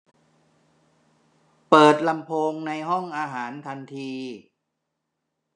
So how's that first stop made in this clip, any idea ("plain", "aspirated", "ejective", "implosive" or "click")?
plain